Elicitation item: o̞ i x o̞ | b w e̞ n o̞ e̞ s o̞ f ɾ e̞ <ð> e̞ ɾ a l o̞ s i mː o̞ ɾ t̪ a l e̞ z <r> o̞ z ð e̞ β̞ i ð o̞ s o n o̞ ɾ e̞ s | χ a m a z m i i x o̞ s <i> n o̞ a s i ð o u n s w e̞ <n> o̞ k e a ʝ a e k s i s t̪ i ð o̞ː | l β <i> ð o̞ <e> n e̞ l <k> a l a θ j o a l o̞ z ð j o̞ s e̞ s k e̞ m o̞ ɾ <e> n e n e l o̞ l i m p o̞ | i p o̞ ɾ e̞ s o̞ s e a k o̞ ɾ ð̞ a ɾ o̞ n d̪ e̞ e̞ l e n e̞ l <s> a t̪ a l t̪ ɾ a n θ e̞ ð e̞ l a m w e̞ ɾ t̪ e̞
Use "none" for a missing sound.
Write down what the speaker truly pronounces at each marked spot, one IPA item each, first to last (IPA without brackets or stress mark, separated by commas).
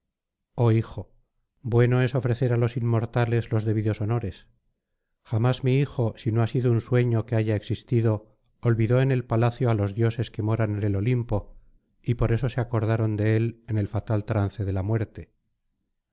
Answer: θ, l, i, ɲ, i, e, p, a, f